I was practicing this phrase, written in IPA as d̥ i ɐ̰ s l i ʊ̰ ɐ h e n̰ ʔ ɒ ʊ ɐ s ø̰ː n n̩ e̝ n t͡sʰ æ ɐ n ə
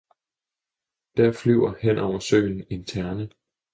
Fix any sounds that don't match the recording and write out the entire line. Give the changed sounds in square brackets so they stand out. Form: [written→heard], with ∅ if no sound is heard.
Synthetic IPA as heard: d̥ [i→æ] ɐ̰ [s→f] l [i→y] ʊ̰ ɐ h e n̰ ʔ ɒ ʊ ɐ s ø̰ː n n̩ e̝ n t͡sʰ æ ɐ n ə

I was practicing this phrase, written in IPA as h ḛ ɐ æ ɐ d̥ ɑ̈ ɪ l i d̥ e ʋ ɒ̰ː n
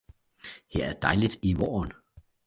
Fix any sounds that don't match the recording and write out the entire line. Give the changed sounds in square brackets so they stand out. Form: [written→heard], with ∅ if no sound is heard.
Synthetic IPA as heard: h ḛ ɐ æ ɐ d̥ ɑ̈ ɪ l i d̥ [e→i] ʋ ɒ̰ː n

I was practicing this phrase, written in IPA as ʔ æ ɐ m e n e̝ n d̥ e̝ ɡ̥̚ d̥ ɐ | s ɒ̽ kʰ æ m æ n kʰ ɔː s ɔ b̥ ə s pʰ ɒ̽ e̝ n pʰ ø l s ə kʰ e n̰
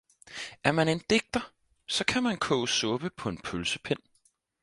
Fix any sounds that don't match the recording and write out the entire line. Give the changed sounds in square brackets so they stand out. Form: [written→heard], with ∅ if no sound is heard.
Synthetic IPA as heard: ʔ æ ɐ m [e→æ] n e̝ n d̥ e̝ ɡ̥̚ d̥ ɐ | s ɒ̽ kʰ æ m æ n kʰ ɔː s ɔ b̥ ə [s→∅] pʰ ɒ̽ e̝ n pʰ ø l s ə [kʰ→pʰ] e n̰

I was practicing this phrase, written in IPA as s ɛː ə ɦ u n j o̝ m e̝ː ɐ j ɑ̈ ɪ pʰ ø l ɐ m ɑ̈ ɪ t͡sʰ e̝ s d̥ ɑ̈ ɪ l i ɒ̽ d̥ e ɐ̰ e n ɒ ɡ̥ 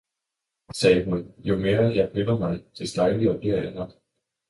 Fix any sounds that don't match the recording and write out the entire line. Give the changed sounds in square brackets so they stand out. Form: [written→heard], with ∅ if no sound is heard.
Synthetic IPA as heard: s ɛː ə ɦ u n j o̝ m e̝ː ɐ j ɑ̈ ɪ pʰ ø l ɐ m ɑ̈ ɪ t͡sʰ e̝ s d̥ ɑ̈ ɪ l i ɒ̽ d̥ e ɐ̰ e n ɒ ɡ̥

